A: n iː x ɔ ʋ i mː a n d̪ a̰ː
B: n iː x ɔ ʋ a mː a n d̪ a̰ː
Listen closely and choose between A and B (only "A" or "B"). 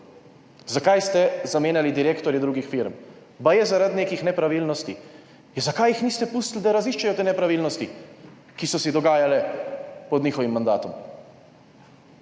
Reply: A